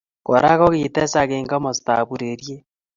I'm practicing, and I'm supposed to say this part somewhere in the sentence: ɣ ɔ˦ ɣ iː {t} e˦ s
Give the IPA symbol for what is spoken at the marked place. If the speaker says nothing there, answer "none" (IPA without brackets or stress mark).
t